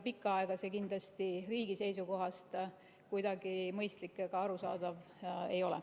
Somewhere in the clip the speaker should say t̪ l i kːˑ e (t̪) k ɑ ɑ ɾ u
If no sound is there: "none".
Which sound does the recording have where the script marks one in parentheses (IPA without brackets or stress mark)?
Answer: none